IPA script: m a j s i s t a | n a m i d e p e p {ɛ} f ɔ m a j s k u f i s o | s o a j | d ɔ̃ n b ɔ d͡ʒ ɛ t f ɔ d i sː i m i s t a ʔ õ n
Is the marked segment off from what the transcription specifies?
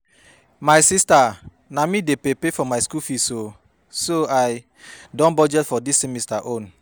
yes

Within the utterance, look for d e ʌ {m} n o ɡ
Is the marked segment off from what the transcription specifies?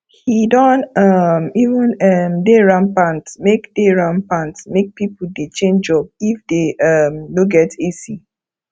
no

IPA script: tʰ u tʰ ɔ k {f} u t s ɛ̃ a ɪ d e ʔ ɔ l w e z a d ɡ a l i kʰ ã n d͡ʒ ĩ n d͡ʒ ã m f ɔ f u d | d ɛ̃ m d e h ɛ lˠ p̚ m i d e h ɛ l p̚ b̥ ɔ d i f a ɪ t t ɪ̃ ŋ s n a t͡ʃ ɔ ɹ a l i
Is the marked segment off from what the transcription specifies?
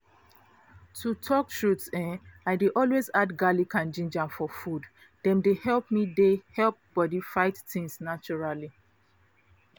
yes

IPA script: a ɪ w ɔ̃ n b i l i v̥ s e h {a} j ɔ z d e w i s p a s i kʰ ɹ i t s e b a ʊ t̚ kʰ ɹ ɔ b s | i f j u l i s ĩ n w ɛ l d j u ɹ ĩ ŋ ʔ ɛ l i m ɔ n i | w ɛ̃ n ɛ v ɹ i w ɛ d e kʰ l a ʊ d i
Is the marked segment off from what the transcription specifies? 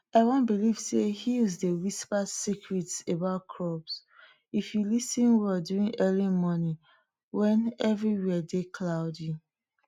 yes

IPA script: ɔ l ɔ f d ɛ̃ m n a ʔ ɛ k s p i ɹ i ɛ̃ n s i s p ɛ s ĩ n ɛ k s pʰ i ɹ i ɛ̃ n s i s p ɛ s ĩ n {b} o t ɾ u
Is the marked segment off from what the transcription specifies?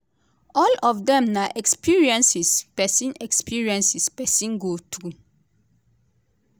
yes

